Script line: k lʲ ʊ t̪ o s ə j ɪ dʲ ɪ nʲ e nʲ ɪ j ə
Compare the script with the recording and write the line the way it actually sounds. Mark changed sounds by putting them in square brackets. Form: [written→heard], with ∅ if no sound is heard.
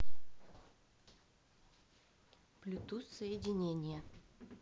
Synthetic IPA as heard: [k→p] lʲ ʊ t̪ [o→u] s ə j ɪ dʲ ɪ nʲ e nʲ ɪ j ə